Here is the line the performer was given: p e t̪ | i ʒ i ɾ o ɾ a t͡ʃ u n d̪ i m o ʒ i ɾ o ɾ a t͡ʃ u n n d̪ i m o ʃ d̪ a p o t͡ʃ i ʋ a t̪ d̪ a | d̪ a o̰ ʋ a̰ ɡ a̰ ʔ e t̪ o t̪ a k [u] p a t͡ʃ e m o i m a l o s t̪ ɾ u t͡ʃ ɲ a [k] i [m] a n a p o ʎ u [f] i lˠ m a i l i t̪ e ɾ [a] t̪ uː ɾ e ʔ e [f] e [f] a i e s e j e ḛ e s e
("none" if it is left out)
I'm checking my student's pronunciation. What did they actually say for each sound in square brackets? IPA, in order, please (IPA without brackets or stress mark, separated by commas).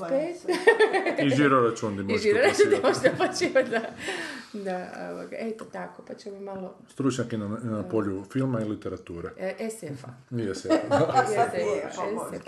o, k, n, f, a, s, f